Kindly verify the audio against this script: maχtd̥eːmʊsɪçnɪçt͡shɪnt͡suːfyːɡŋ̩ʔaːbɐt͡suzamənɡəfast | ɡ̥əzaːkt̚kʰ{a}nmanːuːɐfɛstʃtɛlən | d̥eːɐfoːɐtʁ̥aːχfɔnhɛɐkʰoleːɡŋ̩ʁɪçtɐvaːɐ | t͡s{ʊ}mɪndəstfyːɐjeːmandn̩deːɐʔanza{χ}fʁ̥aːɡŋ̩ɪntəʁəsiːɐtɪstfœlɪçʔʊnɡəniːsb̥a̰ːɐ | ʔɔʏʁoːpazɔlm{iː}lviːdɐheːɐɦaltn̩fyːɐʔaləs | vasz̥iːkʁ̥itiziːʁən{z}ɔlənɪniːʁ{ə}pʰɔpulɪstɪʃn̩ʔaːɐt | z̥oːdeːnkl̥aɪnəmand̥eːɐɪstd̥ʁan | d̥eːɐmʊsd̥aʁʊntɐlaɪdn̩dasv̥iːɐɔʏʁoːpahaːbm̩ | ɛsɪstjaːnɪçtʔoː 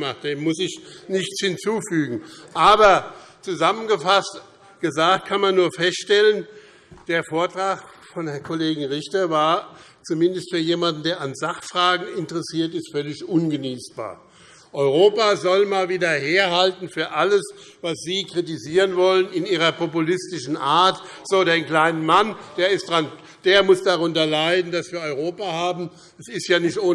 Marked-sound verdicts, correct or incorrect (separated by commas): correct, incorrect, correct, incorrect, incorrect, incorrect